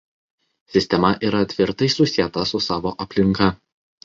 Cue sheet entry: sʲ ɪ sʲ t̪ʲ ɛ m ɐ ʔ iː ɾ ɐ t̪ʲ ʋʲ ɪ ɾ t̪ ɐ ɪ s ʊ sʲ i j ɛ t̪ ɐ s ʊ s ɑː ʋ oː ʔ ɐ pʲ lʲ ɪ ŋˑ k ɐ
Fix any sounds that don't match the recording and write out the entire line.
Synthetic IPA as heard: sʲ ɪ sʲ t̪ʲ ɛ m ɐ ʔ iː ɾ ɐ t̪ʲ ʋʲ ɪ ɾ t̪ ɐ ɪ s ʊ sʲ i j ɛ t̪ ɐ s ʊ s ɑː ʋ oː ʔ ɐ pʲ lʲ ɪ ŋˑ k ɐ